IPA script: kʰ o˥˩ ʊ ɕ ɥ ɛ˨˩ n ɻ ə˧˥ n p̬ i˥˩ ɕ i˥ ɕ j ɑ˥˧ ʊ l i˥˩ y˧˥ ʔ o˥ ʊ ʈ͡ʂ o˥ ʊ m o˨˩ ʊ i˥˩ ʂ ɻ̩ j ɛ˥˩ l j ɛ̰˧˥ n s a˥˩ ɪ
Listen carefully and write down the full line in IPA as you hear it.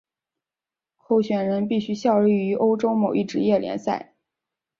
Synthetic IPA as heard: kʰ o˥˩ ʊ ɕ ɥ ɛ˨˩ n ɻ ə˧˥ n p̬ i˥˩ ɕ y˥ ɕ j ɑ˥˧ ʊ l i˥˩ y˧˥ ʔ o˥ ʊ ʈ͡ʂ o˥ ʊ m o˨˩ ʊ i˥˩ ʈ͡ʂ ɻ̩ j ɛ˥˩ l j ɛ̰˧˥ n s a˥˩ ɪ